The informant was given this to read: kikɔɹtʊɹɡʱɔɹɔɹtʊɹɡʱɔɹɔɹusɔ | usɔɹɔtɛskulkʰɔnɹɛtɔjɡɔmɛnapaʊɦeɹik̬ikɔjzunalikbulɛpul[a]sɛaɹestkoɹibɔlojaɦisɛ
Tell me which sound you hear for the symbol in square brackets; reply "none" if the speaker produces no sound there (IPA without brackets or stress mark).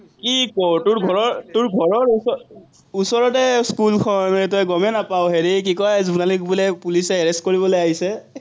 i